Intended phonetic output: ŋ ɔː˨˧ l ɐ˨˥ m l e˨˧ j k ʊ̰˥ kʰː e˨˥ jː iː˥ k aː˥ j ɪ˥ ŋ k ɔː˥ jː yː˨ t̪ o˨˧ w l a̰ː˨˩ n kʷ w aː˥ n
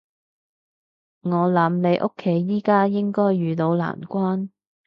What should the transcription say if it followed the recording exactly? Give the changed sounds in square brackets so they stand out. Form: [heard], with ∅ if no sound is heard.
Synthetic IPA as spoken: ŋ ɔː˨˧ l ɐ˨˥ m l e˨˧ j [ʔ] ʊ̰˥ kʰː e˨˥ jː iː˥ k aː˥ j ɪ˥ ŋ k ɔː˥ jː yː˨ t̪ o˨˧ w l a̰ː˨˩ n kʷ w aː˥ n